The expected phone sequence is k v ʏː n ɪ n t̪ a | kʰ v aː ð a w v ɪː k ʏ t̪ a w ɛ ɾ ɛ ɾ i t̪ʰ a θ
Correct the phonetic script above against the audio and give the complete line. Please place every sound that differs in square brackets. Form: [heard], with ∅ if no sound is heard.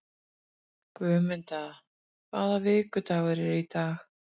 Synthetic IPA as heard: k v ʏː [m] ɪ n t̪ a | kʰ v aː ð a [∅] v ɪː k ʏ t̪ a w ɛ ɾ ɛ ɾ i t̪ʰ a [x]